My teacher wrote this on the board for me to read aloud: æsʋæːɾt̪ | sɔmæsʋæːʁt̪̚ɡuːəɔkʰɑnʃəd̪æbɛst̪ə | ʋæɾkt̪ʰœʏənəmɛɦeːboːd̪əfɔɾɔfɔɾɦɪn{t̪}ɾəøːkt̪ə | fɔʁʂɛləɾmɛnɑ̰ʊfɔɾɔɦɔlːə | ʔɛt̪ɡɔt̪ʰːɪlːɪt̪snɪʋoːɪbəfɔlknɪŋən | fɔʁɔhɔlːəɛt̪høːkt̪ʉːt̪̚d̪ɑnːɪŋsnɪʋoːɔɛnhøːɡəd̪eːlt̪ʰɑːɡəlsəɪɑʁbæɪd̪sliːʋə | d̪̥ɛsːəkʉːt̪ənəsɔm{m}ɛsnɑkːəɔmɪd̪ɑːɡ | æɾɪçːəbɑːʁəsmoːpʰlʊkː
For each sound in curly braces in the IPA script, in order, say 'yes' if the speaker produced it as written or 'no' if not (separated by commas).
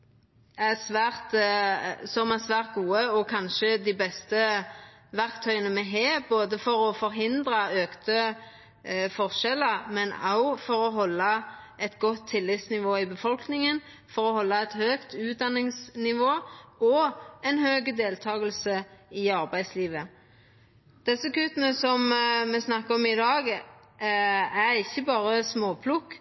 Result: no, yes